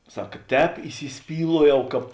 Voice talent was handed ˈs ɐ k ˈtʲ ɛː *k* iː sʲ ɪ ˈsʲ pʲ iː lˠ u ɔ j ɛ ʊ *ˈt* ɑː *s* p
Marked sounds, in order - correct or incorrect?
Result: incorrect: p, incorrect: k, incorrect: none

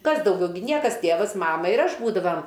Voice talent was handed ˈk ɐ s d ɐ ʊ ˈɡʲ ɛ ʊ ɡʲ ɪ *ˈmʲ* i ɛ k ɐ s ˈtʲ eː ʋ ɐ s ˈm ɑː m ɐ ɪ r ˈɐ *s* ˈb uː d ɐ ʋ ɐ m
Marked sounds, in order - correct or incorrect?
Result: incorrect: nʲ, incorrect: ʃ

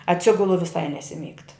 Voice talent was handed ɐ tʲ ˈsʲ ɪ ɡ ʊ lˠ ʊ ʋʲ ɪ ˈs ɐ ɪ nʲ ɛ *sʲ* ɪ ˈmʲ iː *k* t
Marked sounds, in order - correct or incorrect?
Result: correct, correct

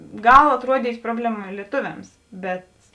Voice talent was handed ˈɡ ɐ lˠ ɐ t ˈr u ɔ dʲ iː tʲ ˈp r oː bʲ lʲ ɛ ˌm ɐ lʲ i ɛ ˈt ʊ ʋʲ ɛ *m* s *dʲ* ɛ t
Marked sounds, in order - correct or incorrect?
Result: correct, incorrect: bʲ

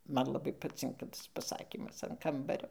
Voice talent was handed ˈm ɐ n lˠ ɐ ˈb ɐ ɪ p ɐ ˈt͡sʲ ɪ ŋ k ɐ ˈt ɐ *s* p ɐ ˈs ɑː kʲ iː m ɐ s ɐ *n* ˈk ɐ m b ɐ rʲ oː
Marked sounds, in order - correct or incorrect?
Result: correct, correct

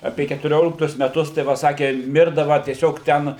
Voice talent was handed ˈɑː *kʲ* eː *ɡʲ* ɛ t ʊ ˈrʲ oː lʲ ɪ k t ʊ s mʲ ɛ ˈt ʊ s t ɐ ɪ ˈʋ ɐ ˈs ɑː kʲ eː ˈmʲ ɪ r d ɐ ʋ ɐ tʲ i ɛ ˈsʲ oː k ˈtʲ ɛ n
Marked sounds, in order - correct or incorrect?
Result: incorrect: pʲ, incorrect: kʲ

